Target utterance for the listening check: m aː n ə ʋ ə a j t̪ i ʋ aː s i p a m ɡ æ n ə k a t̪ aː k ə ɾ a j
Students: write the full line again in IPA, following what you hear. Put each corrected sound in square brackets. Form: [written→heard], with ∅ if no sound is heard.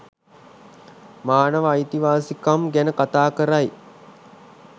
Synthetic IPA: m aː n ə ʋ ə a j t̪ i ʋ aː s i [p→k] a m ɡ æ n ə k a t̪ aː k ə ɾ a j